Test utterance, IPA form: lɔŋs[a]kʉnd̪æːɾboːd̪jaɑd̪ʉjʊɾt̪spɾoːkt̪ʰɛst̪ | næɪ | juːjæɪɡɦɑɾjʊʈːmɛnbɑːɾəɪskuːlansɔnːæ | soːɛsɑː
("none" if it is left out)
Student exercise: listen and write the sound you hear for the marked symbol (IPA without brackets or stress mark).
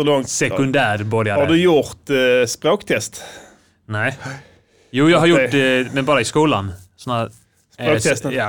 ɛ